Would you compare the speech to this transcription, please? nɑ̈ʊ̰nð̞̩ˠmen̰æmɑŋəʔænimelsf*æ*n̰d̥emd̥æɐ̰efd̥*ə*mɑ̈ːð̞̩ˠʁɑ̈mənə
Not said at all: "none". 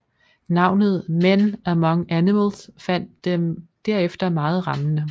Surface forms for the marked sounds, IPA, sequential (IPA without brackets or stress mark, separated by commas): æ, ɐ